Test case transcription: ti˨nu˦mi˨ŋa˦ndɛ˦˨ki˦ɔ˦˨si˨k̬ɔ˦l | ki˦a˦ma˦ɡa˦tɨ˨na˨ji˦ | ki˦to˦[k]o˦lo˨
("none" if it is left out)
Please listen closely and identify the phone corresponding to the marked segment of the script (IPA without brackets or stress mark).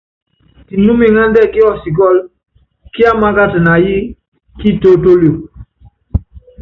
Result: t